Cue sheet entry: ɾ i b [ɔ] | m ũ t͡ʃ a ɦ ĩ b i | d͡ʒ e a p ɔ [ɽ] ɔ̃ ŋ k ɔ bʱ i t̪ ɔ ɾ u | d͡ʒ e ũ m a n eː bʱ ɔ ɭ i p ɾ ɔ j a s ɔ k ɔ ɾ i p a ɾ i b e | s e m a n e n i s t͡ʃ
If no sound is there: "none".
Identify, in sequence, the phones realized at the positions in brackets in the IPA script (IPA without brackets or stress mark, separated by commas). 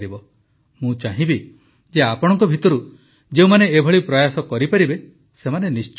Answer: ɔ, ɽ